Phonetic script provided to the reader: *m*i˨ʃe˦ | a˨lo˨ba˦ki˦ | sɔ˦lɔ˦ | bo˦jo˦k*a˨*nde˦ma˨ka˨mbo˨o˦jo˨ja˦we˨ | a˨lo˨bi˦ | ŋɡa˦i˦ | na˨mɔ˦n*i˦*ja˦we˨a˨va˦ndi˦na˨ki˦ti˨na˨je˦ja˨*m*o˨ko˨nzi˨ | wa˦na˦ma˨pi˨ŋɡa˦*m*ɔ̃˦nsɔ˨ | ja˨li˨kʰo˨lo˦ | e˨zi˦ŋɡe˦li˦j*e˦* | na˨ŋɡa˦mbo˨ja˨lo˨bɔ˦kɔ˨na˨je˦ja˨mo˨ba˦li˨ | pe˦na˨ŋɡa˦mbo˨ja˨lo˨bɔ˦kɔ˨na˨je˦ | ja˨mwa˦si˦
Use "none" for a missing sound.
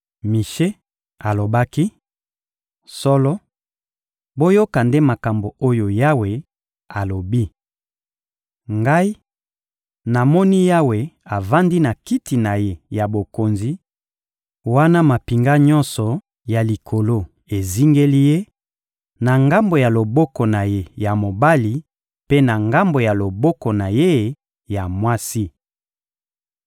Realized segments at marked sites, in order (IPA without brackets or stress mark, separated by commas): m, a˨, i˦, b, ɲ, e˦